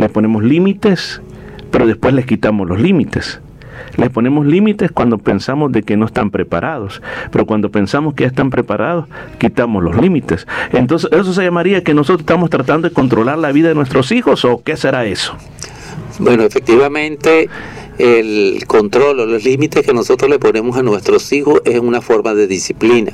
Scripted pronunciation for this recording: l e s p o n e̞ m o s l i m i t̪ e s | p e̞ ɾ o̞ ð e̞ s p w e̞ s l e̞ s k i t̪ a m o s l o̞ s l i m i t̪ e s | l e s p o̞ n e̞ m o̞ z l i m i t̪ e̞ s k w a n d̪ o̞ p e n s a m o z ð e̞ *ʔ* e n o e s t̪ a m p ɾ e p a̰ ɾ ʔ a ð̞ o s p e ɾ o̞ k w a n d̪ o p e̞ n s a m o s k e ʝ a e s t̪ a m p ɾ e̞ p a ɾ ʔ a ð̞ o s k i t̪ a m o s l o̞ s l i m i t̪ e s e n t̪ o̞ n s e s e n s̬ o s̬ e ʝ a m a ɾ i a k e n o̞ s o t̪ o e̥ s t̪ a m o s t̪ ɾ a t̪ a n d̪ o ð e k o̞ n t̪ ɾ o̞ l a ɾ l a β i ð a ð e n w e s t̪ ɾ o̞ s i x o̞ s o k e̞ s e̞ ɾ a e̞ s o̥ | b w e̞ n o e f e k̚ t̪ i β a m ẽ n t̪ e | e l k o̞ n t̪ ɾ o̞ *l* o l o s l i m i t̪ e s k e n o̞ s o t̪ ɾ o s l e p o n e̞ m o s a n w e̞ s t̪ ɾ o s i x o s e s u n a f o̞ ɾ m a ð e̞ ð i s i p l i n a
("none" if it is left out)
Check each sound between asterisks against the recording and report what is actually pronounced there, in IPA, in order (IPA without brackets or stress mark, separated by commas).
k, l